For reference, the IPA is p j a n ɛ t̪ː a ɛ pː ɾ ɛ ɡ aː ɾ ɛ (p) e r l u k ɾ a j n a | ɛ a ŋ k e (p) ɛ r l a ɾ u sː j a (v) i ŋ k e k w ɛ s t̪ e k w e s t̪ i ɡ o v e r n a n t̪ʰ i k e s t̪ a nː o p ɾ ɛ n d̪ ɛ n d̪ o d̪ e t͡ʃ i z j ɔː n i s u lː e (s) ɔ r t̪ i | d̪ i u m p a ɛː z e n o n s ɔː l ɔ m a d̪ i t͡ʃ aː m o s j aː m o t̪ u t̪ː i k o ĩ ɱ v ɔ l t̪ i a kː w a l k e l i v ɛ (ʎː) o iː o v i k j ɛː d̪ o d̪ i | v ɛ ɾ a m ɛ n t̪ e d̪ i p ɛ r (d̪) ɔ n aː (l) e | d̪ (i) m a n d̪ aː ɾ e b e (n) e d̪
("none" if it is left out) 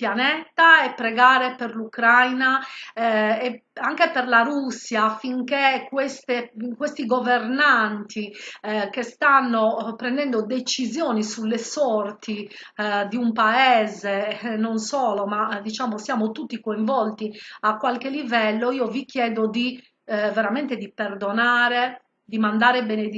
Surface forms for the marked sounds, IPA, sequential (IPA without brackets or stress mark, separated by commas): p, p, f, s, lː, d̪, ɾ, i, n